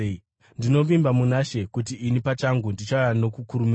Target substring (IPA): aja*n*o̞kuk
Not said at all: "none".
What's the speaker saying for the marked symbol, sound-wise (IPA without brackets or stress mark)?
n